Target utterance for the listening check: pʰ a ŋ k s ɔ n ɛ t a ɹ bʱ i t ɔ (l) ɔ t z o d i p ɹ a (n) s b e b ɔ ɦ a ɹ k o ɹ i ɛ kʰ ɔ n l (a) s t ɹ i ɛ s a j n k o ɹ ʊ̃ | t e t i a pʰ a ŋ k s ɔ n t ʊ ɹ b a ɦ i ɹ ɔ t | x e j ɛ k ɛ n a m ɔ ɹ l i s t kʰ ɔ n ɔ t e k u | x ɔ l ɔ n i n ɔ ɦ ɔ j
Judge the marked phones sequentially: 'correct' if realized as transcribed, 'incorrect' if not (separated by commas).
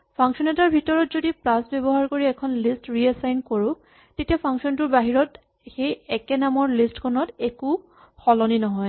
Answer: incorrect, incorrect, incorrect